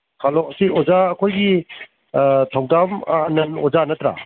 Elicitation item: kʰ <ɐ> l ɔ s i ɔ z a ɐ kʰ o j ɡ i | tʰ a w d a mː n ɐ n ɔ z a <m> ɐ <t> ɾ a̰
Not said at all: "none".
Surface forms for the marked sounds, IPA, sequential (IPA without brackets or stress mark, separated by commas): a, n, t